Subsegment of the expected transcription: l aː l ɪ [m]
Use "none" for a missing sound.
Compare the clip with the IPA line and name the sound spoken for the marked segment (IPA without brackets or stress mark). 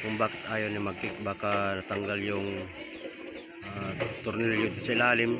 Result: m